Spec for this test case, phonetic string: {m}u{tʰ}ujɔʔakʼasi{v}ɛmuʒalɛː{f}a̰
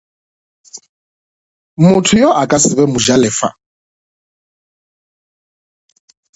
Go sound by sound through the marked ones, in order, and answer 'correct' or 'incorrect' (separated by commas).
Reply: correct, correct, incorrect, correct